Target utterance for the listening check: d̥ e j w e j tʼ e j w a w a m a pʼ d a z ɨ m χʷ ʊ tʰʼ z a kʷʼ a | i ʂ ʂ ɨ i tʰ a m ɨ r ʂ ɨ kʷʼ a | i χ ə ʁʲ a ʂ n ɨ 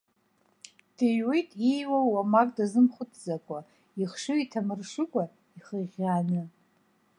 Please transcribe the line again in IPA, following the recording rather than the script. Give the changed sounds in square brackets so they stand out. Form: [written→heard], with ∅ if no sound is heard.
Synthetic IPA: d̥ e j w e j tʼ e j w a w a m a [pʼ→kʼ] d a z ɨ m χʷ ʊ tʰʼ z a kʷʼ a | i [ʂ→χ] ʂ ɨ i tʰ a m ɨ r ʂ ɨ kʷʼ a | i χ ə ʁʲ a [ʂ→∅] n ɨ